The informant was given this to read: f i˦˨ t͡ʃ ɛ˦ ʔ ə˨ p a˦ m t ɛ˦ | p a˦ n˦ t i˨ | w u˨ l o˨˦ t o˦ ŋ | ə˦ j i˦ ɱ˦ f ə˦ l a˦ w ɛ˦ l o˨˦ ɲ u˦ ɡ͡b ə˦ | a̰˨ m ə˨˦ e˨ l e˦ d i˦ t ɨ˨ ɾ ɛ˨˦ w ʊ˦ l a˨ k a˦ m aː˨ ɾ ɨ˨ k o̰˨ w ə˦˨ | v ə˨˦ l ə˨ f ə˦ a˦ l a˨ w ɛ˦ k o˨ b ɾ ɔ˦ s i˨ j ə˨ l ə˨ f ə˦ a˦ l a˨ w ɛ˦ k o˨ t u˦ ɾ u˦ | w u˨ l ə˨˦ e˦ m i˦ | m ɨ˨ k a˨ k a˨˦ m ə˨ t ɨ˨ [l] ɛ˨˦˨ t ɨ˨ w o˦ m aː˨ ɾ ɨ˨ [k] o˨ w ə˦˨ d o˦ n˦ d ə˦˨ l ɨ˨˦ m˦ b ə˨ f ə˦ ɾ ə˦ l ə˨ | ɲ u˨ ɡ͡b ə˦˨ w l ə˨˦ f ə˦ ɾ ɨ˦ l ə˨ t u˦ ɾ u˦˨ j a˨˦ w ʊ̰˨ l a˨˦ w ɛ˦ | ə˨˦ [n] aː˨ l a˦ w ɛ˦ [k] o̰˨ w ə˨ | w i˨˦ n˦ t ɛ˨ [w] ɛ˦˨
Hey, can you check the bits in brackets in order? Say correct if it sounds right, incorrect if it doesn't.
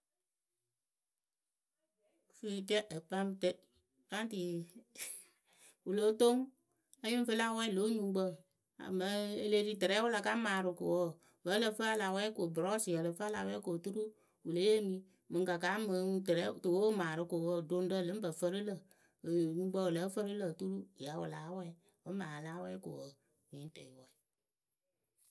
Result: incorrect: ɾ, correct, incorrect: m, correct, correct

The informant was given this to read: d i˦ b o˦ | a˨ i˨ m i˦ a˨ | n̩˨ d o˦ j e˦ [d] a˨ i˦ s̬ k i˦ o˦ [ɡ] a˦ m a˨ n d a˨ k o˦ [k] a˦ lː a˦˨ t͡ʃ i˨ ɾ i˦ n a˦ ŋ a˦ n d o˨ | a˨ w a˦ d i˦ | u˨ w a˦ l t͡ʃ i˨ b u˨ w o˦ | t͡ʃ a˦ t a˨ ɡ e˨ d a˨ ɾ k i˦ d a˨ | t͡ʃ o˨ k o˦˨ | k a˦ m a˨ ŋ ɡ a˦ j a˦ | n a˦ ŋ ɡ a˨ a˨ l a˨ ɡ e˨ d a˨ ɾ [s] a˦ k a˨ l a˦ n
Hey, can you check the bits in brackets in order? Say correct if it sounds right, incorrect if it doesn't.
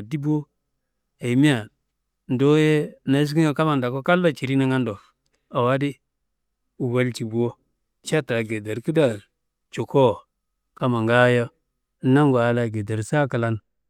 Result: incorrect: n, incorrect: k, correct, correct

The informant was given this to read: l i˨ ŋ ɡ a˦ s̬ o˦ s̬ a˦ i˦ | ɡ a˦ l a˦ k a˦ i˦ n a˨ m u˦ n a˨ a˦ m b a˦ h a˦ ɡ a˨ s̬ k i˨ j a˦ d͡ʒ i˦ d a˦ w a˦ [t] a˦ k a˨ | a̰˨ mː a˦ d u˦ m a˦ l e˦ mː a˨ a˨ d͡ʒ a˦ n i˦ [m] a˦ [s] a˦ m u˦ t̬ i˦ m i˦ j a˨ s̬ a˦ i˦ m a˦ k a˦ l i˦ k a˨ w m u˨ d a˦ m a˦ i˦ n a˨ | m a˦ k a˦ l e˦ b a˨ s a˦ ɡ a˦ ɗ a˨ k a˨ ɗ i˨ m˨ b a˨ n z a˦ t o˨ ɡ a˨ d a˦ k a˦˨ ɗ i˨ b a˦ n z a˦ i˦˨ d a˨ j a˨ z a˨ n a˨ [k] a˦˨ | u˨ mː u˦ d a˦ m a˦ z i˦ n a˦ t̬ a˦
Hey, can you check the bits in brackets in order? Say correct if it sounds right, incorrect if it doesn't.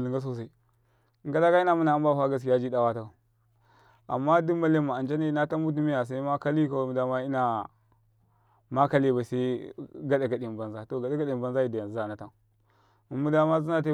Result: correct, incorrect: n, incorrect: t, incorrect: t

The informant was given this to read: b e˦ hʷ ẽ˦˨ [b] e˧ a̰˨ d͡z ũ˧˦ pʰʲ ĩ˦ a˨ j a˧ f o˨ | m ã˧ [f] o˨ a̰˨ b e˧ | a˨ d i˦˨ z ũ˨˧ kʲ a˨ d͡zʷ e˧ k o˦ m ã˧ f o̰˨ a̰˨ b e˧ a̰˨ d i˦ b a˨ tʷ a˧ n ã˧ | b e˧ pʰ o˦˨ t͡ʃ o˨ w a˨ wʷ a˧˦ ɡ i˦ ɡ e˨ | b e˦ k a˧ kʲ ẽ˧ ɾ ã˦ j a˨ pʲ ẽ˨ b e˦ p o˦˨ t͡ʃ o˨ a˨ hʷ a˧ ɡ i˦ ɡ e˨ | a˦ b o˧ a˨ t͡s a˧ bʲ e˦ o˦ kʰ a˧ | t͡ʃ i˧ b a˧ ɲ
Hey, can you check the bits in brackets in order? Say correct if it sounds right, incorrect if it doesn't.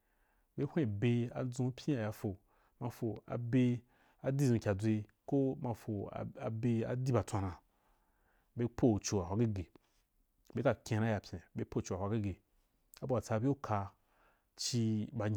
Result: correct, correct

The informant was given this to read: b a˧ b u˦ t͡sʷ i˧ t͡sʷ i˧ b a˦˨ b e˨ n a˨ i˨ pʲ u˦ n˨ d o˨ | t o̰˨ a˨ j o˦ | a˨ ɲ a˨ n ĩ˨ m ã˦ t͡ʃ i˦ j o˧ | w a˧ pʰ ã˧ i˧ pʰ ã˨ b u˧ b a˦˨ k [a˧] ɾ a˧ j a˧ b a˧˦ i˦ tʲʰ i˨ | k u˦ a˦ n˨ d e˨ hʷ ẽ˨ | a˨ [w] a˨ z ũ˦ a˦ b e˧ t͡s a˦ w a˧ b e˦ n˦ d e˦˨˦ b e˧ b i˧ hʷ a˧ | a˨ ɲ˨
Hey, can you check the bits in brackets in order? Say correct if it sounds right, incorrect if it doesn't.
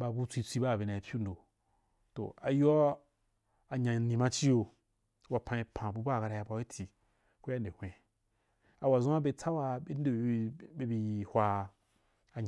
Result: correct, correct

